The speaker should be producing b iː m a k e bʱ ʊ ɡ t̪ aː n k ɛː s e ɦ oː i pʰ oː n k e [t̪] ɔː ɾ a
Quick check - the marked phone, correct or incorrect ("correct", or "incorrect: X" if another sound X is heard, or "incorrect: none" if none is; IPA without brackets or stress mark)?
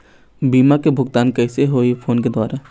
incorrect: d̪